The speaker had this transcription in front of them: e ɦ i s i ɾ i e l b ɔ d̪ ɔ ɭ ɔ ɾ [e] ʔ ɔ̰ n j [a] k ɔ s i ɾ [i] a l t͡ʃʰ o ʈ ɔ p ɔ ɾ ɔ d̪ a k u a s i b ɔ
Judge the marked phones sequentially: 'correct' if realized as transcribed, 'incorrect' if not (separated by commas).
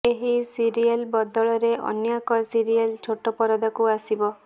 correct, correct, correct